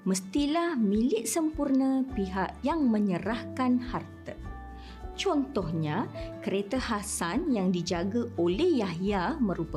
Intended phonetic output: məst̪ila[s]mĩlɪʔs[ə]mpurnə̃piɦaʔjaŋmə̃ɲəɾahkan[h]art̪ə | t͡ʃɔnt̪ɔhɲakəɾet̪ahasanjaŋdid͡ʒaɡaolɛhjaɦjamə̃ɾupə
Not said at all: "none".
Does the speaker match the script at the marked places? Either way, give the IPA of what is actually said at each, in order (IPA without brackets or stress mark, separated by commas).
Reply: h, ə, h